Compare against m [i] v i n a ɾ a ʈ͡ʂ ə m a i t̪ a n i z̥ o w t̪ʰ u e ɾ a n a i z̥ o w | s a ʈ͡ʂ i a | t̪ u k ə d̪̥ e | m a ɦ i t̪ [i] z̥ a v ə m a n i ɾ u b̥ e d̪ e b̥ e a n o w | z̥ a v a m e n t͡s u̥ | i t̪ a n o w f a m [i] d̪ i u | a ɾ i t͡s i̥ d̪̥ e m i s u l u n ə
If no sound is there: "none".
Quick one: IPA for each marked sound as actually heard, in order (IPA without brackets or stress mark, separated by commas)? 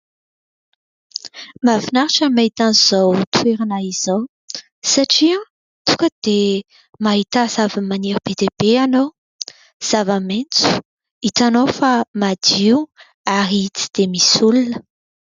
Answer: a, a, a